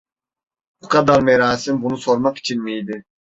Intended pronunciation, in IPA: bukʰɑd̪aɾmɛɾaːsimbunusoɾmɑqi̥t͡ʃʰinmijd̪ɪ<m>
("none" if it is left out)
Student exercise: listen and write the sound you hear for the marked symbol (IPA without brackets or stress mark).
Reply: none